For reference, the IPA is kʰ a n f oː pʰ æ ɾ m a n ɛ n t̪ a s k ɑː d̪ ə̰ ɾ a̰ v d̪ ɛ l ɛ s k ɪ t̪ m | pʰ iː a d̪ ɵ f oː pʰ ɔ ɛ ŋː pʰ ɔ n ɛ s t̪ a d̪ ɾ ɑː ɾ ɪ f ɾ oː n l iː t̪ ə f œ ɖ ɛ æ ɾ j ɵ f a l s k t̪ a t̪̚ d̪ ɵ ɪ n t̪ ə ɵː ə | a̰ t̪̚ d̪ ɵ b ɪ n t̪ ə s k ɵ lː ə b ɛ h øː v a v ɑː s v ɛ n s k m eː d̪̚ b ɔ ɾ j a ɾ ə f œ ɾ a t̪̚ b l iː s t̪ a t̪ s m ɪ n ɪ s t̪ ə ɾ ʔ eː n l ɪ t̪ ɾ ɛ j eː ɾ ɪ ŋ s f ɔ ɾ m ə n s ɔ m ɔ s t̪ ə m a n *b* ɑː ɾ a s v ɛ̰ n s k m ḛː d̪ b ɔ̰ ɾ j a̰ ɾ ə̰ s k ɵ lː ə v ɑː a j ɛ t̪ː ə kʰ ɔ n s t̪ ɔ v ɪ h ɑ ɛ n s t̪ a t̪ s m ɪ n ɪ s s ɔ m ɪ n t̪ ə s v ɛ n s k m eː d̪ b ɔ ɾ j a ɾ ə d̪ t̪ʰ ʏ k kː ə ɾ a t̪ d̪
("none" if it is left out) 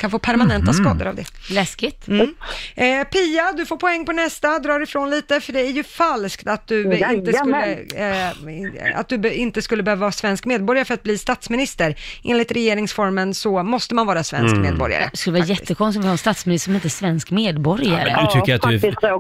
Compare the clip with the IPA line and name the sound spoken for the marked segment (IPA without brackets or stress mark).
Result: v